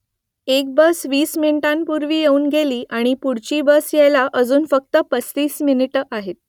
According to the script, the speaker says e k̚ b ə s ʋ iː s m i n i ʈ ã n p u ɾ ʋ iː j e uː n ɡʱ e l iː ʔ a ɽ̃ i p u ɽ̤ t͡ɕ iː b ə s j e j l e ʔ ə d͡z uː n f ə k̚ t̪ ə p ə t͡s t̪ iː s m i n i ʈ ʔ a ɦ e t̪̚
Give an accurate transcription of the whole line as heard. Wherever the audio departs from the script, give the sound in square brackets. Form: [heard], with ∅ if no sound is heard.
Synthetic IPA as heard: e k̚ b ə s ʋ iː s m i n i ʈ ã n p u ɾ ʋ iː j e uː n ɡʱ e l iː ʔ a ɽ̃ i p u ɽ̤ t͡ɕ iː b ə s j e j l [a] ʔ ə d͡z uː n f ə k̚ t̪ ə p ə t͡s t̪ iː s m i n i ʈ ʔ a ɦ e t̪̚